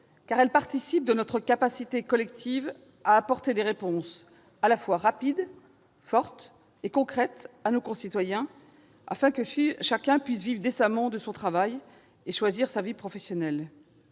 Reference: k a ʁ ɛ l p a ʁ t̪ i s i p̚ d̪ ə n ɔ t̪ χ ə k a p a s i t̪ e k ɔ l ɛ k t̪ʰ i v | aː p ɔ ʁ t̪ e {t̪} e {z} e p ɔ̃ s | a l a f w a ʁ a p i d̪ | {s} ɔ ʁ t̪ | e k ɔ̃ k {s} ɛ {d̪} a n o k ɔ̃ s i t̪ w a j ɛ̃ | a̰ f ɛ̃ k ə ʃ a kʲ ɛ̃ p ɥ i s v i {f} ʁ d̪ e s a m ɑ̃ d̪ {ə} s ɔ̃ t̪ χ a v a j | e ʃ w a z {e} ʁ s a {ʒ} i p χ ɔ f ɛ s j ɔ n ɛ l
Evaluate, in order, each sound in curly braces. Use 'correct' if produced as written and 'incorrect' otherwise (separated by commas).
incorrect, incorrect, incorrect, incorrect, incorrect, incorrect, correct, incorrect, incorrect